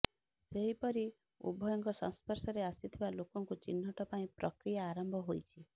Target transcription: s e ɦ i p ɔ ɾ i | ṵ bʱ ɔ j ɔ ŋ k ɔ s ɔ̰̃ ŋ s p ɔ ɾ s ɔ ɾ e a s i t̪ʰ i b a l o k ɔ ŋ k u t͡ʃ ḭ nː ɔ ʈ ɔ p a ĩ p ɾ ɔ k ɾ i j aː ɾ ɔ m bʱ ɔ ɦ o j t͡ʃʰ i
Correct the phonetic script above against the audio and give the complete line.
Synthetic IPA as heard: s e ɦ i p ɔ ɾ i | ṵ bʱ ɔ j ɔ ŋ k ɔ s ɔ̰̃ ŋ s p ɔ ɾ s ɔ ɾ e a s i t̪ʰ i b a l o k ɔ ŋ k u t͡ʃ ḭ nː ɔ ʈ ɔ p a ĩ p ɾ ɔ k ɾ i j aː ɾ ɔ m bʱ ɔ ɦ o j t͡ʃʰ i